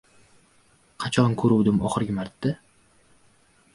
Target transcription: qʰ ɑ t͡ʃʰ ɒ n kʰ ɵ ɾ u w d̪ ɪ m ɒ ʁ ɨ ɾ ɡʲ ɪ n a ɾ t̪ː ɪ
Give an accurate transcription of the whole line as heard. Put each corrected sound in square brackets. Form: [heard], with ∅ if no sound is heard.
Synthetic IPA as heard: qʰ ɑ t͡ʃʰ ɒ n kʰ ɵ ɾ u w d̪ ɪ m ɒ [χ] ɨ ɾ ɡʲ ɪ [m] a ɾ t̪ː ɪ